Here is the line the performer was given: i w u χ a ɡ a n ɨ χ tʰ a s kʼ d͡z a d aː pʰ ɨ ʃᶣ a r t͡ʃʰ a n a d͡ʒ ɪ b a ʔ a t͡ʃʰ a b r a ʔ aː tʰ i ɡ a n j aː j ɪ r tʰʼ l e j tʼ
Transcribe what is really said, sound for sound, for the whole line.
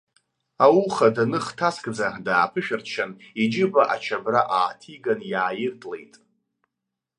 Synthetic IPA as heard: a w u χ a d a n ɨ χ tʰ a s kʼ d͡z a d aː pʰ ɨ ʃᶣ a r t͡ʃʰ a n i d͡ʒ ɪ b a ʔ a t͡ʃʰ a b r a ʔ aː tʰ i ɡ a n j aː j ɪ r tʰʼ l e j tʼ